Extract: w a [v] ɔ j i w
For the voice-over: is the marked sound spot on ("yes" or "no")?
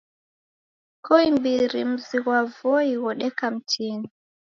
yes